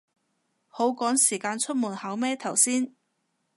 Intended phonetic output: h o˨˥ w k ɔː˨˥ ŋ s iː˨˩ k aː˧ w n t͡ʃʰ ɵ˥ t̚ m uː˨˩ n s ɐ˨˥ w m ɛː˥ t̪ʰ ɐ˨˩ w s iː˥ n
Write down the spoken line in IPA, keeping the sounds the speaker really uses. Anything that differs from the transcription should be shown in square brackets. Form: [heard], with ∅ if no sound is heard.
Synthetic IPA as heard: h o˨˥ w k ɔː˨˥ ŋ s iː˨˩ k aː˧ [∅] n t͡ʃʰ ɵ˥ t̚ m uː˨˩ n [h] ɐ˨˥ w m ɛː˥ t̪ʰ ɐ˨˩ w s iː˥ n